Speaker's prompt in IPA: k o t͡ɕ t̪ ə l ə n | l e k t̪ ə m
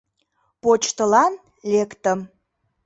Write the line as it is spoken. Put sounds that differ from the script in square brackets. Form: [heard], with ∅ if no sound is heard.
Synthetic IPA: [p] o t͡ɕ t̪ ə l [ɑ] n | l e k t̪ ə m